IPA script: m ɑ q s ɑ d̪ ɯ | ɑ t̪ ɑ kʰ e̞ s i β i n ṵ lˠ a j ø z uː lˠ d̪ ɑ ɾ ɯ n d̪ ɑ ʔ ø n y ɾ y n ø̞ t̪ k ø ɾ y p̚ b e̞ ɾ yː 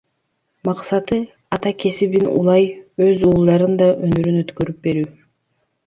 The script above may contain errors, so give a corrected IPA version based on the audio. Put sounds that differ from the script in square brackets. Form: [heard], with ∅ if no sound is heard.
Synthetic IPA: m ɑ q s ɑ [t̪] ɯ | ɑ t̪ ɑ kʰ e̞ s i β i n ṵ lˠ [ɑ] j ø z uː lˠ d̪ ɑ ɾ ɯ n d̪ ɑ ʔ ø n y ɾ y n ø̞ t̪ k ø ɾ y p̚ b e̞ ɾ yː